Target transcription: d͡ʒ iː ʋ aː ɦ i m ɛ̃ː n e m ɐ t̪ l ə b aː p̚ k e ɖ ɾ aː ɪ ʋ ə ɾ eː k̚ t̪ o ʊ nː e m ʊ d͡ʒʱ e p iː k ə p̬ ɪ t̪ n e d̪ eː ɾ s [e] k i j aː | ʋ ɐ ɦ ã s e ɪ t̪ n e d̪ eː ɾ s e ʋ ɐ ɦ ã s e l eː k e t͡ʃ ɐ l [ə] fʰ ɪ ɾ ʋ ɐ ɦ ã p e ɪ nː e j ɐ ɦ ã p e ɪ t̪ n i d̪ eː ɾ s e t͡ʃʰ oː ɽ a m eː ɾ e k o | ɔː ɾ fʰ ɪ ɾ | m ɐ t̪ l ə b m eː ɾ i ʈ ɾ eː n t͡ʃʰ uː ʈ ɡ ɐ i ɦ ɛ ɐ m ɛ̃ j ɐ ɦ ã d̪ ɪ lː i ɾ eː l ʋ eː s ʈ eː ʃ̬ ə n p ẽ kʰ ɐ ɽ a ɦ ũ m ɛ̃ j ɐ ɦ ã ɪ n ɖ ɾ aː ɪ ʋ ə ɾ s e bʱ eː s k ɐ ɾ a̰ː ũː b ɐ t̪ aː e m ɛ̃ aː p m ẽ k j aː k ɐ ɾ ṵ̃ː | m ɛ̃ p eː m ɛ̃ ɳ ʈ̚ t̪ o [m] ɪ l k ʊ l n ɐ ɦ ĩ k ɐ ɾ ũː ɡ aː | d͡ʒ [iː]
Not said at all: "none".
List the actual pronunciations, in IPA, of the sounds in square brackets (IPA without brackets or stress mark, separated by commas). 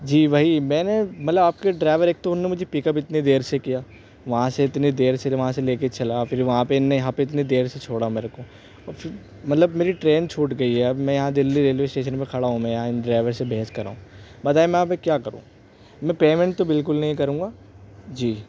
e, a, b, iː